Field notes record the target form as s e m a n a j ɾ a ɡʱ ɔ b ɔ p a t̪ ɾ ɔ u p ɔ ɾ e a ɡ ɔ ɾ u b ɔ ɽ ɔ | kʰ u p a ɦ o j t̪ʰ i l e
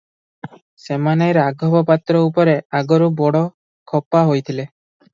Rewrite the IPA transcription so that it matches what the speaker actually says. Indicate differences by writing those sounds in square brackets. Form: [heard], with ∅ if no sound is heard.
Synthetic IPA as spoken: s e m a n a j ɾ a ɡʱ ɔ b ɔ p a t̪ ɾ ɔ u p ɔ ɾ e a ɡ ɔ ɾ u b ɔ ɽ ɔ | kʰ [ɔ] p a ɦ o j t̪ʰ i l e